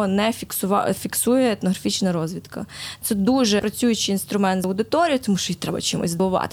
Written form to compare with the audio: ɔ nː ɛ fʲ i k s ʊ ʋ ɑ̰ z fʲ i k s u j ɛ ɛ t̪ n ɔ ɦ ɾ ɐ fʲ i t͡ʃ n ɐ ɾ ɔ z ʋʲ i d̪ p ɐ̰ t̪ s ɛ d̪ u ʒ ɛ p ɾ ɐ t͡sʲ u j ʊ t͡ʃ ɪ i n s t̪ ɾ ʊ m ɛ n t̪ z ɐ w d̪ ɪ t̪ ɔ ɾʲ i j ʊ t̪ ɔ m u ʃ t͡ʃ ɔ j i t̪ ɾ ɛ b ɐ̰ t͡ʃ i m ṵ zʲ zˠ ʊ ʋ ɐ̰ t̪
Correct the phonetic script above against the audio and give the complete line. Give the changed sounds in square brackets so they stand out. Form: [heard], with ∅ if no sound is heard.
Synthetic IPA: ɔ [n] ɛ fʲ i k s ʊ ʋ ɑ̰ [∅] fʲ i k s u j ɛ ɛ t̪ n ɔ ɦ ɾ ɐ fʲ i t͡ʃ n ɐ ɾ ɔ z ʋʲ i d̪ [k] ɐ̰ t̪ s ɛ d̪ u ʒ ɛ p ɾ ɐ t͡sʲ u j ʊ t͡ʃ ɪ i n s t̪ ɾ ʊ m ɛ n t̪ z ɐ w d̪ ɪ t̪ ɔ ɾʲ i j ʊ t̪ ɔ m u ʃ t͡ʃ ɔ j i t̪ ɾ ɛ b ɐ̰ t͡ʃ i m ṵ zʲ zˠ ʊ ʋ [ɑ̰] t̪